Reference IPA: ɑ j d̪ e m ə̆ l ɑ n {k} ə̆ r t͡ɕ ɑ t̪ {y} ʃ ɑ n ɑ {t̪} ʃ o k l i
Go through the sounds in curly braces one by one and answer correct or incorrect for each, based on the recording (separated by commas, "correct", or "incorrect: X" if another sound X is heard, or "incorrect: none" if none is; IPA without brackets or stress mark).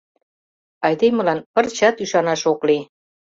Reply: incorrect: p, correct, incorrect: none